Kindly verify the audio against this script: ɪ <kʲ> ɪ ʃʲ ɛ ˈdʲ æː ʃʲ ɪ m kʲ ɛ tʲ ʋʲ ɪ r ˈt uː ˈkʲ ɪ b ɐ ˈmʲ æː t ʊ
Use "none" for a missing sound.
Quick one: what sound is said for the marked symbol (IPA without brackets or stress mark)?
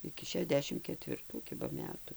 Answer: kʲ